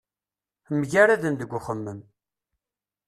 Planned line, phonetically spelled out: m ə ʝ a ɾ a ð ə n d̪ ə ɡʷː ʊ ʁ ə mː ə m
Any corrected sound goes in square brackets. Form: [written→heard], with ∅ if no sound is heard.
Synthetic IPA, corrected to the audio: m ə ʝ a ɾ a ð ə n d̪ ə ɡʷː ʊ [ʁ→χ] ə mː ə m